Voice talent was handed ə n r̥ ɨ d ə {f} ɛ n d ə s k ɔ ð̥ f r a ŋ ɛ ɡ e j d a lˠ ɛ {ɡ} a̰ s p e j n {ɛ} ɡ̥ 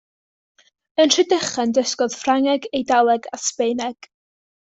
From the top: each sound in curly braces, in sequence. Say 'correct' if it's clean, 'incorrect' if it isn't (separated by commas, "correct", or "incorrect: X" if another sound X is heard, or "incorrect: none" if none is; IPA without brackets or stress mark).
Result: incorrect: χ, correct, correct